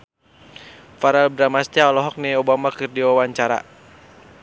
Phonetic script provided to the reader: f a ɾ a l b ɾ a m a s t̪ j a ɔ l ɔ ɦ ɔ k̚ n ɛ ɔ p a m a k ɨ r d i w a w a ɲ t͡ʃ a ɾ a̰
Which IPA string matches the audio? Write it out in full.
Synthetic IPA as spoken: f a ɾ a l b ɾ a m a s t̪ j a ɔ l ɔ ɦ ɔ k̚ n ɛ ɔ b a m a k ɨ r d i w a w a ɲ t͡ʃ a ɾ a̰